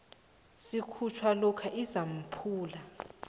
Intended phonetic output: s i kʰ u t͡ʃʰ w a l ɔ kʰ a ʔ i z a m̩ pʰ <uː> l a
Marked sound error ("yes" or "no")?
no